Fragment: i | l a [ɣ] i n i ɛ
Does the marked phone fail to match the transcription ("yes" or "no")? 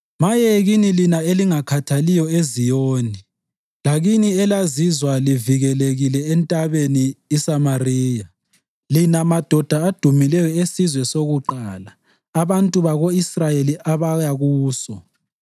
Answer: no